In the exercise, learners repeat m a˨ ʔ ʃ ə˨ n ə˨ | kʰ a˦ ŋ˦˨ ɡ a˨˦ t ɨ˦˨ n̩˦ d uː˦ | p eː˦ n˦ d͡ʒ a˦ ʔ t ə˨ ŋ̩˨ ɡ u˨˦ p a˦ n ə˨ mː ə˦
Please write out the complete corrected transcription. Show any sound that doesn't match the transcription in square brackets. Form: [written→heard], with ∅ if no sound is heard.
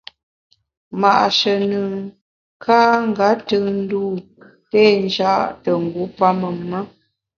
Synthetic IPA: m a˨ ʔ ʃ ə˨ n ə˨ | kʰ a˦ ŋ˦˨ ɡ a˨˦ t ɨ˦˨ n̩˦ d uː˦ | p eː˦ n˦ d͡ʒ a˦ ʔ t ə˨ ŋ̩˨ ɡ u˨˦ p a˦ [n→m] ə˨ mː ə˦